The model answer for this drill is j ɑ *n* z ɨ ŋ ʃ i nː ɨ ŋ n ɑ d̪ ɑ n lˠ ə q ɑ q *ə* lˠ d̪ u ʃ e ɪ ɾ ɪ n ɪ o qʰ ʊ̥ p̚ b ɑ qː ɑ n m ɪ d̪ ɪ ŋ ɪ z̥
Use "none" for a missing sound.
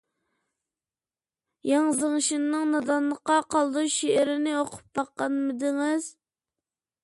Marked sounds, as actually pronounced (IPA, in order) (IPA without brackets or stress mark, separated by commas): ŋ, ɑ